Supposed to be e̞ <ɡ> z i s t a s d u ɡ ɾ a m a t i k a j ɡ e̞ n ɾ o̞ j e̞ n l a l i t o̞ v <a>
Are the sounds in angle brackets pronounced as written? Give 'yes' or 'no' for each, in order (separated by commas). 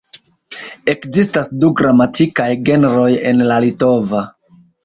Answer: no, yes